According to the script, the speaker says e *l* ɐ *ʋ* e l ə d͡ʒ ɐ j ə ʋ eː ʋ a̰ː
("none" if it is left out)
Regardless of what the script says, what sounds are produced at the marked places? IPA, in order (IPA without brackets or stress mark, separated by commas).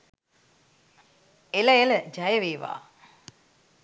l, none